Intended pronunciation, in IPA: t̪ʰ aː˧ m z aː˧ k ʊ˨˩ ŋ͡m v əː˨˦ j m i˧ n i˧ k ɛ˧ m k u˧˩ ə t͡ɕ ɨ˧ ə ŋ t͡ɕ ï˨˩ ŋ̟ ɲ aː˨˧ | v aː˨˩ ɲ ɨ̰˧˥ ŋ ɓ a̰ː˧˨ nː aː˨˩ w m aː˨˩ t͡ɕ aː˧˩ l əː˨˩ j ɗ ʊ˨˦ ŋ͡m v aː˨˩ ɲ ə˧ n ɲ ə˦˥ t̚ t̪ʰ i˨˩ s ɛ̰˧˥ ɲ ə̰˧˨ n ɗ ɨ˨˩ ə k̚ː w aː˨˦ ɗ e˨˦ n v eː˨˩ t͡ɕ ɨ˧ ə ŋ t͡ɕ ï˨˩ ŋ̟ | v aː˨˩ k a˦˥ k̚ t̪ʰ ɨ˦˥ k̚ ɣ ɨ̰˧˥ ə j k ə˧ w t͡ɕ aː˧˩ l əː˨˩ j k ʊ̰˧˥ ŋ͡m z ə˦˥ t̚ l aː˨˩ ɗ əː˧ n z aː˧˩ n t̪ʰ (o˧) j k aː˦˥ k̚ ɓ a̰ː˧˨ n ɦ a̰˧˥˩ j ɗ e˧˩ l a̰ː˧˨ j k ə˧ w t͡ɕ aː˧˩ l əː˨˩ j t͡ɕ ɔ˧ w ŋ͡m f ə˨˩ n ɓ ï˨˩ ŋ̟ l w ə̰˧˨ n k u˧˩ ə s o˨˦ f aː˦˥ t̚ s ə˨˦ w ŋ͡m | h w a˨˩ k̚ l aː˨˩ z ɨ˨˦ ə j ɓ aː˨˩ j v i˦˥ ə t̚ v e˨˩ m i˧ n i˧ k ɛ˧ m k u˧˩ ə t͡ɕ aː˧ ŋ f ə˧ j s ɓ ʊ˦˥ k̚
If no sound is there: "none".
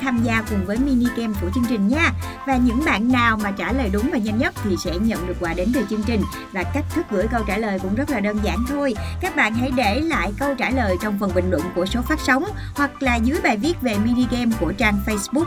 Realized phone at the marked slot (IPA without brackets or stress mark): o˧